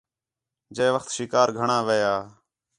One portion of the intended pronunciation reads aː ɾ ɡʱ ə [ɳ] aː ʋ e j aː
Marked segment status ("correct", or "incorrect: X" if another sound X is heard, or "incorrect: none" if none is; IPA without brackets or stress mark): correct